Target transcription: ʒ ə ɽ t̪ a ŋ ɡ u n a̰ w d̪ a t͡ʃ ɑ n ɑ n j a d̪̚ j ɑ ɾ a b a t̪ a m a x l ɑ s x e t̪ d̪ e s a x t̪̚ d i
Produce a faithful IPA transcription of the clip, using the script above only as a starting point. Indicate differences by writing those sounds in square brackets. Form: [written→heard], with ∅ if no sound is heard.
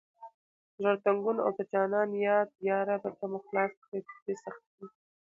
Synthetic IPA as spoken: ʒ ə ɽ t̪ a ŋ ɡ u n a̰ w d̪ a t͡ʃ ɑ n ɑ n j [a→ɑ] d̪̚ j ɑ ɾ a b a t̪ a m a x l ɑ s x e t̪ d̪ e s a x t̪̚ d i